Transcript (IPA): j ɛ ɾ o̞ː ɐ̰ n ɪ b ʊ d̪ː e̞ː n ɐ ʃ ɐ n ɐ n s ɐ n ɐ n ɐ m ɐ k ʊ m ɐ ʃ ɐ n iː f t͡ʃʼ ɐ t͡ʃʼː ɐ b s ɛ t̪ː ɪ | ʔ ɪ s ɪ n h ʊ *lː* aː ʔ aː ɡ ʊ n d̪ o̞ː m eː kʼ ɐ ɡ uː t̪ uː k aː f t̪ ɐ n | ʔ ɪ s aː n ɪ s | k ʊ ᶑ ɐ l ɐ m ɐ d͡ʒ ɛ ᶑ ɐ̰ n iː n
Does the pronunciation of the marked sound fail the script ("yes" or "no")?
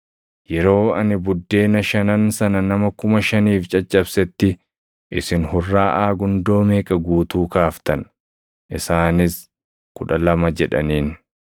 yes